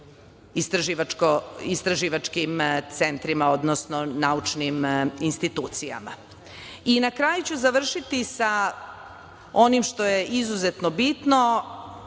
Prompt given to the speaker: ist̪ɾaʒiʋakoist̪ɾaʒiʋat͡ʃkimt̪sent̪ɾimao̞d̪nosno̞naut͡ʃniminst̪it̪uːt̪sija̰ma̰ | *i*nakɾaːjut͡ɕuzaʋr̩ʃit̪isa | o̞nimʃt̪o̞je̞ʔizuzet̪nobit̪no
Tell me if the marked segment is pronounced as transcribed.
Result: yes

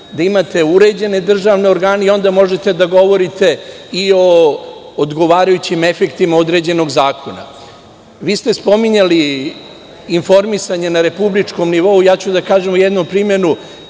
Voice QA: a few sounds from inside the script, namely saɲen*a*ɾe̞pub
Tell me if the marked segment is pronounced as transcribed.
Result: yes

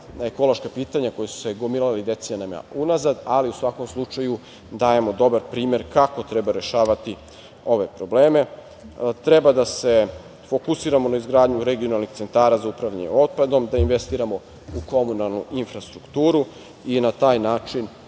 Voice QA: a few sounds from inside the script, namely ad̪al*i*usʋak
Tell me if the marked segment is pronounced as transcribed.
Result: yes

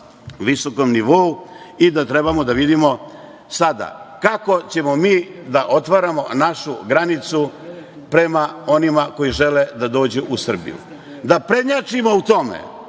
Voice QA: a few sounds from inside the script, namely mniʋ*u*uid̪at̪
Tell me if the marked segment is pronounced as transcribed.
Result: no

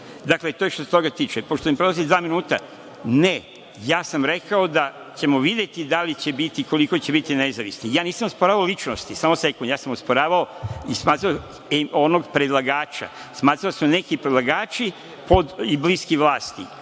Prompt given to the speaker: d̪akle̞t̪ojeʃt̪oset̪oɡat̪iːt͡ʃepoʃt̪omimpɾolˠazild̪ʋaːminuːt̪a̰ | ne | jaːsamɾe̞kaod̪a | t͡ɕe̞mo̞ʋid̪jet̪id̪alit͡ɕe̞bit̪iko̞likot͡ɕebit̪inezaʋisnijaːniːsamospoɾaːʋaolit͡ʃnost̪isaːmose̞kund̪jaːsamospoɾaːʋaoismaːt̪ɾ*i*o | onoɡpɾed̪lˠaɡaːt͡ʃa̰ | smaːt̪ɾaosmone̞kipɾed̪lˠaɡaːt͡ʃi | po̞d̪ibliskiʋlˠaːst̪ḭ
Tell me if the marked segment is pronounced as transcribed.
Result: no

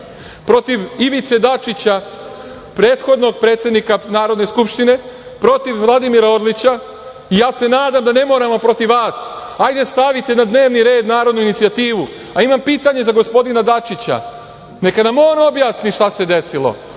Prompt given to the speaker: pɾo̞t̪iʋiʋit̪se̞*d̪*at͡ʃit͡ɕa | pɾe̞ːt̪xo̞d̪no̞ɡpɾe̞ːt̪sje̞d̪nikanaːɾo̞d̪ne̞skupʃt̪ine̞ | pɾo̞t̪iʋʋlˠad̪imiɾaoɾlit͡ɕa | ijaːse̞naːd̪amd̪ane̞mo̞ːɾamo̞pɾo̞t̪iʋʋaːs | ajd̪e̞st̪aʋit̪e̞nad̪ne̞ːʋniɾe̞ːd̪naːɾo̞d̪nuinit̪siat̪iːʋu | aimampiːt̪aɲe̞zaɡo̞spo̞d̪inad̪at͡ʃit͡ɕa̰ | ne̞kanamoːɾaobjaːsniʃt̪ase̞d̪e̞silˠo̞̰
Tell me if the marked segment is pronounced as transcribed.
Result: yes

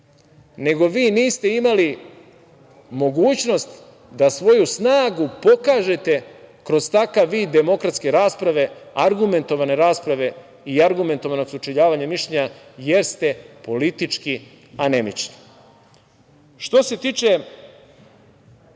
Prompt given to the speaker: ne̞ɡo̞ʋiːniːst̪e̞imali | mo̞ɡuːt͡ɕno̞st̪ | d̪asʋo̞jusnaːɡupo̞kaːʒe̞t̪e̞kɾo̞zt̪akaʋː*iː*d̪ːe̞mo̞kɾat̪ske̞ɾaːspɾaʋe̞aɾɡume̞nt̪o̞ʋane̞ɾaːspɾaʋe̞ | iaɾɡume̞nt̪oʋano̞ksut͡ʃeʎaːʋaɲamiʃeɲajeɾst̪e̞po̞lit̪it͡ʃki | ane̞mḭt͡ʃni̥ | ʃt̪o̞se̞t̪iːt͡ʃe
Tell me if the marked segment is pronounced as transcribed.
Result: yes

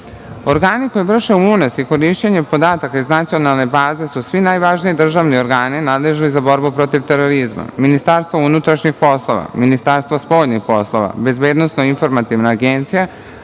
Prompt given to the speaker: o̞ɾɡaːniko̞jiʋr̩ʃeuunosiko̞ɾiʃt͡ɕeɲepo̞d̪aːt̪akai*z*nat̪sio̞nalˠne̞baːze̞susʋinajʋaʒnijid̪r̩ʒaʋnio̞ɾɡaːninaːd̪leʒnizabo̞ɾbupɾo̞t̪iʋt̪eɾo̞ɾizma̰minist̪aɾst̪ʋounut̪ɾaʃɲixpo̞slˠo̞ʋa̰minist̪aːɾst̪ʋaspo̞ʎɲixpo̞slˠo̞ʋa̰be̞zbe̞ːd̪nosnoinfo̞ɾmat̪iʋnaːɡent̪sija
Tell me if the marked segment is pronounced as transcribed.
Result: yes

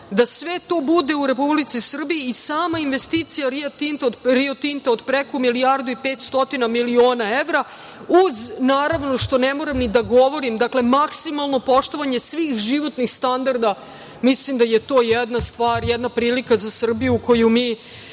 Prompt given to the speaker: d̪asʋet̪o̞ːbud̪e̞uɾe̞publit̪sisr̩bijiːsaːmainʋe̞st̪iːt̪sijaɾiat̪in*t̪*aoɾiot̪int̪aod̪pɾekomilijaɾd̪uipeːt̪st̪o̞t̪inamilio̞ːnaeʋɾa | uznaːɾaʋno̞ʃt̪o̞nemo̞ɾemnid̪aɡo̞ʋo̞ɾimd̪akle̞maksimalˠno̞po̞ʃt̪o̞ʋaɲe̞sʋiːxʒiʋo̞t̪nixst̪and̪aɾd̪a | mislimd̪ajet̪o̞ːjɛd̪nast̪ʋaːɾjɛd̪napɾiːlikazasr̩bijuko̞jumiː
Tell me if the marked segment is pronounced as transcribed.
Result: yes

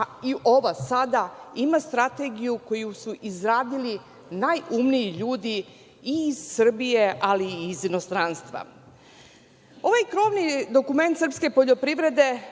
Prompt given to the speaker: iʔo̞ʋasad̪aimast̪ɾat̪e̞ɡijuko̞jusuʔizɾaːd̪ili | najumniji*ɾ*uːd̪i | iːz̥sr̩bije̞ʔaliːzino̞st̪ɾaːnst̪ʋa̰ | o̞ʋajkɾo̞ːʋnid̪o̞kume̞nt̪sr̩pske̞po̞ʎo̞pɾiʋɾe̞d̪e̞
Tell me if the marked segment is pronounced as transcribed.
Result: no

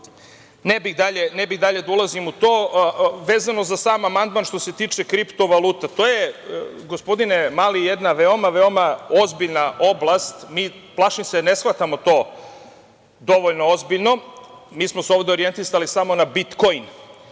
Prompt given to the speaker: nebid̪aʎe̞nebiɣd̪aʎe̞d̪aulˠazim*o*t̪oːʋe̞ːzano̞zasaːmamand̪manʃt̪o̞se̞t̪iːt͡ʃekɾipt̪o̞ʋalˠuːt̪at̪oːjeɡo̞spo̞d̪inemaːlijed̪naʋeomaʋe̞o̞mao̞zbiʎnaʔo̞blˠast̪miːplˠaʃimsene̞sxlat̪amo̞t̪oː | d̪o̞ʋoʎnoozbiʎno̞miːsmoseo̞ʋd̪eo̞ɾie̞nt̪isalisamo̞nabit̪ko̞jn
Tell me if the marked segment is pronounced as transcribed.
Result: no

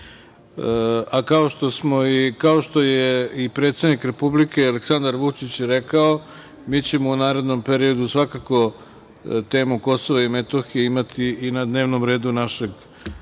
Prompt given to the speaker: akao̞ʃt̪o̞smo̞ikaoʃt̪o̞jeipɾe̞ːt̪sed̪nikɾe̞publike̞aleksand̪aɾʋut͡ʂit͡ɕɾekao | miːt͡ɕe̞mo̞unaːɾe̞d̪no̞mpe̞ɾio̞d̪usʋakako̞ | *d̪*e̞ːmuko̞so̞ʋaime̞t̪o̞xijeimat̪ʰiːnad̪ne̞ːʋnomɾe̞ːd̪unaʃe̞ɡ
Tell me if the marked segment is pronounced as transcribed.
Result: no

